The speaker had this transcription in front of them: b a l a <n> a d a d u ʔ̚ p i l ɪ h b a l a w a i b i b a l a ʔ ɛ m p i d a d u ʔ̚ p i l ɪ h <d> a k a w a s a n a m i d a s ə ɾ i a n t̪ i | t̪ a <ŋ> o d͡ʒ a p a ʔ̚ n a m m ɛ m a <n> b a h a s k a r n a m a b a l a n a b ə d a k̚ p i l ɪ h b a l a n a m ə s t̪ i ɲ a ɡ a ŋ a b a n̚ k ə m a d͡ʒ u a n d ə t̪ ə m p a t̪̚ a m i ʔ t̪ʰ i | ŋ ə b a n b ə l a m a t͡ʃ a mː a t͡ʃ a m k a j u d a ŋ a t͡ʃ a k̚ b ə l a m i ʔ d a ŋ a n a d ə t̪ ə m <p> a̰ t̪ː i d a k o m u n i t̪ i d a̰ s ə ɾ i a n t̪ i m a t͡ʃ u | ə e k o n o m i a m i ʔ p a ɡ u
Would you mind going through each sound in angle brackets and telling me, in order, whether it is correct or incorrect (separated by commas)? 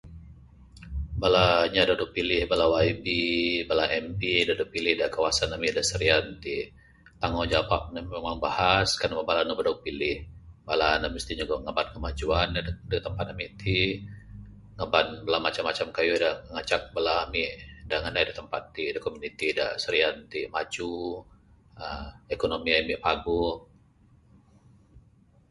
incorrect, correct, correct, incorrect, correct